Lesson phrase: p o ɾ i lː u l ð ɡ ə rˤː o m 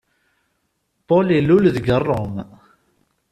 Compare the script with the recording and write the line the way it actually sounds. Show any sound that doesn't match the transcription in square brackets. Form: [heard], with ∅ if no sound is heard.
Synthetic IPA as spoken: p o [l] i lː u l ð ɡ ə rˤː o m